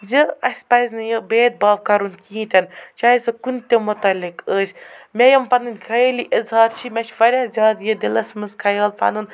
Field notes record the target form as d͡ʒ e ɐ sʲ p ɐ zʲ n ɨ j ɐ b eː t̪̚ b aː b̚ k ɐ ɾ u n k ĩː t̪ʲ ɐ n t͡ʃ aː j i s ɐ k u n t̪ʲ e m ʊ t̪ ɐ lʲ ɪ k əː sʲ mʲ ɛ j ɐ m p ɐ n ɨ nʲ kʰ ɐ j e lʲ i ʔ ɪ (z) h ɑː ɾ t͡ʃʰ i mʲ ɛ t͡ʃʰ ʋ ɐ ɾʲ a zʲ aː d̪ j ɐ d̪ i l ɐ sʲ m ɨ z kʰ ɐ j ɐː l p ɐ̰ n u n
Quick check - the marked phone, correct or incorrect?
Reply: correct